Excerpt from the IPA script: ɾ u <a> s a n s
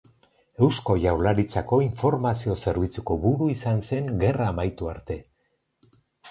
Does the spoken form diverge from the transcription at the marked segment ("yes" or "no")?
yes